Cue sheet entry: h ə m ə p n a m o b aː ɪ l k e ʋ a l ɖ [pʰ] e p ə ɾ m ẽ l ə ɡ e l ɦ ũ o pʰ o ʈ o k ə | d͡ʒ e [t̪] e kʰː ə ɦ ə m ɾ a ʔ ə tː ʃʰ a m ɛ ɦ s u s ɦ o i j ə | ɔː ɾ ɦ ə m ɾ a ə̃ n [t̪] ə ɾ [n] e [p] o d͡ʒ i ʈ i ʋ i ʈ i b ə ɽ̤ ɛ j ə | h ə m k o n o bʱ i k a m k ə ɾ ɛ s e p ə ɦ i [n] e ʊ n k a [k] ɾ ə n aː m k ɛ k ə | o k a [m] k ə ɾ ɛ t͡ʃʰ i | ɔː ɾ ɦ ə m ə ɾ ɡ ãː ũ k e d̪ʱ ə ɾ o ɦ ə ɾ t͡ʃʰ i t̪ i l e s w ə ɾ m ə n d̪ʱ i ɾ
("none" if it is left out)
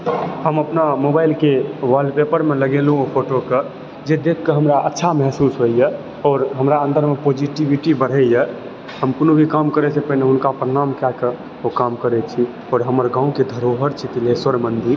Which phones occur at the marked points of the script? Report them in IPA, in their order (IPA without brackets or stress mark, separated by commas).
p, d̪, d̪, m, p, n, p, m